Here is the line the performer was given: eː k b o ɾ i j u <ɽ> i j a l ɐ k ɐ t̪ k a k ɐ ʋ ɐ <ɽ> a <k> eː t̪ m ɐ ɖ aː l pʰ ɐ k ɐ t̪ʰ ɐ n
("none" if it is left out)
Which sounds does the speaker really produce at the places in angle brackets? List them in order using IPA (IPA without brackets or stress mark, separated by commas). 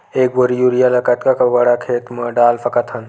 ɾ, ɽ, kʰ